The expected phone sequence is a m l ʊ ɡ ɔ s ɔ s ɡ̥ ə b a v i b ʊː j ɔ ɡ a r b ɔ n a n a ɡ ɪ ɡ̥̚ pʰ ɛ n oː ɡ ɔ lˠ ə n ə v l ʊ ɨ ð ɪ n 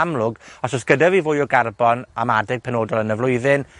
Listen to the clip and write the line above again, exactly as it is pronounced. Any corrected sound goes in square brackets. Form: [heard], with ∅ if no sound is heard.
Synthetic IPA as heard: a m l ʊ ɡ ɔ s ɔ s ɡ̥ ə [d] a v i [v] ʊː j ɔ ɡ a r b ɔ n a [m] a [d] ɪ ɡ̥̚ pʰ ɛ n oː [d] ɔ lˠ ə n ə v l ʊ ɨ ð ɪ n

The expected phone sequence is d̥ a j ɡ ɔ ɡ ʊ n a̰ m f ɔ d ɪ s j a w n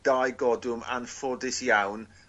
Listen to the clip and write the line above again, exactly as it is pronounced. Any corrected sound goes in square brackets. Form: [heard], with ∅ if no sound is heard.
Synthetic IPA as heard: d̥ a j ɡ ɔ [d] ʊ [m] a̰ [n] f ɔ d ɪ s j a w n

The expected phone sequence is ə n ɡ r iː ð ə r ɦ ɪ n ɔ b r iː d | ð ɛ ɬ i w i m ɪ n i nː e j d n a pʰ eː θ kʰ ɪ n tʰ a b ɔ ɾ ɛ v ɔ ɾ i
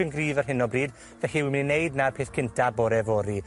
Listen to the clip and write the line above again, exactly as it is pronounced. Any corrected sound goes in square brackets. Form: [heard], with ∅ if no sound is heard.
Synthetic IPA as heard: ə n ɡ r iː [v] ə r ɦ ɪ n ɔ b r iː d | [v] ɛ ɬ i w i m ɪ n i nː e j d n a pʰ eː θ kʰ ɪ n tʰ a b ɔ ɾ ɛ v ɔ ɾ i

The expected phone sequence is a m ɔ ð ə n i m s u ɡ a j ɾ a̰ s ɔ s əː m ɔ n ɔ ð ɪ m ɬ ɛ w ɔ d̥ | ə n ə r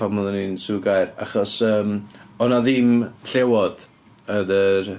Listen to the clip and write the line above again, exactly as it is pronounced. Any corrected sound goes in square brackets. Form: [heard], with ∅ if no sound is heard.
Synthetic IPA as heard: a m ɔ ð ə n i [n] s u ɡ a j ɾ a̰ [χ] ɔ s əː m ɔ n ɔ ð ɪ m ɬ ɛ w ɔ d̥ | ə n ə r

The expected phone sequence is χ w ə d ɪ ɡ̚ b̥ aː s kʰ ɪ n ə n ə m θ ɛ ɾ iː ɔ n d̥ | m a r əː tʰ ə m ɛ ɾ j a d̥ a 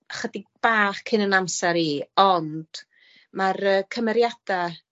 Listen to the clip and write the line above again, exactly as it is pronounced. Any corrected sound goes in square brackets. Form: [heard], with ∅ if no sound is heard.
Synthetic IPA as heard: χ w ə d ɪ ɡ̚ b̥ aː [χ] kʰ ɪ n ə n [a] m [s] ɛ ɾ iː ɔ n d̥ | m a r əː [kʰ] ə m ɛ ɾ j a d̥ a

